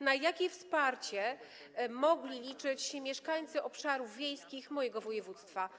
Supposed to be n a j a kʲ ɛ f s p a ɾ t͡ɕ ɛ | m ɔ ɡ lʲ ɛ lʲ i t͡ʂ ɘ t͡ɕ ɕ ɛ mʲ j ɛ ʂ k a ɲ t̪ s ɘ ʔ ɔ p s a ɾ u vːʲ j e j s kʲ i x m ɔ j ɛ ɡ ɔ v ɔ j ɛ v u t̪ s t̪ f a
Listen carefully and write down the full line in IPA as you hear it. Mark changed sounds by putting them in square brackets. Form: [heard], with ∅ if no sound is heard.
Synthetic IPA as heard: n a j a kʲ ɛ f s p a ɾ t͡ɕ ɛ | m ɔ ɡ lʲ [i] lʲ i t͡ʂ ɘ t͡ɕ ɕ ɛ mʲ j ɛ ʂ k a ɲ t̪ s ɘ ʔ ɔ p [ʂ] a ɾ u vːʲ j e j s kʲ i x m ɔ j ɛ ɡ ɔ v ɔ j ɛ v u t̪ s t̪ f a